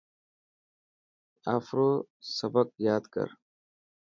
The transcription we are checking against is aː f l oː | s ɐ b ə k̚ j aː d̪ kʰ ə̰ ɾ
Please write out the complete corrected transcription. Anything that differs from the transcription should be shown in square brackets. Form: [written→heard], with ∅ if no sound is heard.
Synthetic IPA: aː f [l→ɾ] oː | s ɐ b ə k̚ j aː d̪ [kʰ→k] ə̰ ɾ